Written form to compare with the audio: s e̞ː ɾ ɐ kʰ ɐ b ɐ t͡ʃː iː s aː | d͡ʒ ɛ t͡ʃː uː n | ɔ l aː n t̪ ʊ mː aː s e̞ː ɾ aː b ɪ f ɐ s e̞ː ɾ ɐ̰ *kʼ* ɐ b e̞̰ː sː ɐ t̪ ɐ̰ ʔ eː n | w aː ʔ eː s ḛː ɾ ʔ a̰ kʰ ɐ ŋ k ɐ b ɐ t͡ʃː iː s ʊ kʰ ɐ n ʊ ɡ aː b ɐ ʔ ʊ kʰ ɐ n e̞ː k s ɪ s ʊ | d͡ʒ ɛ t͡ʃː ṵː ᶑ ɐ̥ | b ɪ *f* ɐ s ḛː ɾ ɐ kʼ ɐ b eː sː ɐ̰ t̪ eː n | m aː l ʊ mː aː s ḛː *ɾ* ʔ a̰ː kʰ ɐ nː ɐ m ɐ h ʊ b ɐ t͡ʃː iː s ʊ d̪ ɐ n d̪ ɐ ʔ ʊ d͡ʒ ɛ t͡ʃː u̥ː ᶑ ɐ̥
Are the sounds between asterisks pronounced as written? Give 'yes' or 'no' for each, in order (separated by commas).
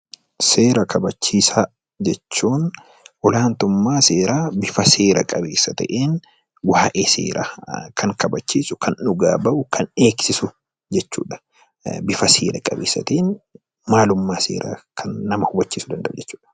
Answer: yes, yes, yes